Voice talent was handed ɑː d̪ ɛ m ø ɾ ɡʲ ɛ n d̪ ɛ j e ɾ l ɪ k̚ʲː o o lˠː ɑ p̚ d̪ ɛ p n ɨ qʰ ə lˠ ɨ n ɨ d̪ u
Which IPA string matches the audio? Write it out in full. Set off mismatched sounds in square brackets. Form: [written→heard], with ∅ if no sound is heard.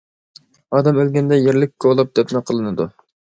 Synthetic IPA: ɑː d̪ ɛ m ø [ɾ→l] ɡʲ ɛ n d̪ ɛ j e ɾ l ɪ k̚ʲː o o [lˠː→lˠ] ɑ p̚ d̪ ɛ p n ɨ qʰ ə lˠ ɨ n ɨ d̪ u